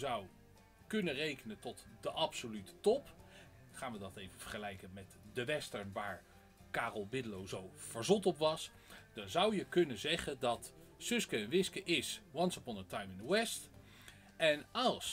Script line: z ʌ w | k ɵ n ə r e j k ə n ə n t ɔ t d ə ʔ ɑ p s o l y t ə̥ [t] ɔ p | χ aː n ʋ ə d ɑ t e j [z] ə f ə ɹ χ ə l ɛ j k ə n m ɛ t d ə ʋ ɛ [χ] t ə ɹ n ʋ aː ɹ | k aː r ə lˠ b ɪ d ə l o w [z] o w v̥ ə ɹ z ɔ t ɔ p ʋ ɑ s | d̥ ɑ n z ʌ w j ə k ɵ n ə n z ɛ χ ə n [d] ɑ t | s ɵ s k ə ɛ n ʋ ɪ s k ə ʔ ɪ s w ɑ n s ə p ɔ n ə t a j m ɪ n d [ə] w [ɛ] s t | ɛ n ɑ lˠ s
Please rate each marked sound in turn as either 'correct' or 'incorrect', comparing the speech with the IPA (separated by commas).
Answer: correct, incorrect, incorrect, correct, correct, correct, correct